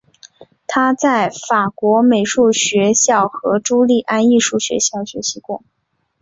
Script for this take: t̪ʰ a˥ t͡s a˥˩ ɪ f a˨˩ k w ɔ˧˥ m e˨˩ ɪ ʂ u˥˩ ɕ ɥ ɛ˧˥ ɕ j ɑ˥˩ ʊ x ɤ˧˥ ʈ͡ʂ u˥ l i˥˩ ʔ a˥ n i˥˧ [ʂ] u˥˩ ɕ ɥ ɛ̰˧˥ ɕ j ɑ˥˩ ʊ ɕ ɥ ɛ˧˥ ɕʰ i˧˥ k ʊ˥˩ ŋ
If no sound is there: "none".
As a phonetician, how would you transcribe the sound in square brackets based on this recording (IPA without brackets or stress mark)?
ʂ